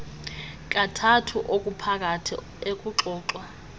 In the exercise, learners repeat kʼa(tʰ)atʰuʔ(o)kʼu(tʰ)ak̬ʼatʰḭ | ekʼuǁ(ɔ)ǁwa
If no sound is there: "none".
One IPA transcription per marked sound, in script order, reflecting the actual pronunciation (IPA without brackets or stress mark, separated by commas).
tʰ, o, pʰ, ɔː